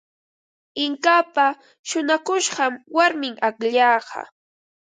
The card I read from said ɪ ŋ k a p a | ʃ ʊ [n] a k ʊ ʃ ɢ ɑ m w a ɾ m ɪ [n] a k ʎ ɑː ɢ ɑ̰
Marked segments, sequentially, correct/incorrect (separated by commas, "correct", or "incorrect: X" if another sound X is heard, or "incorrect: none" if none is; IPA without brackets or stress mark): correct, incorrect: ŋ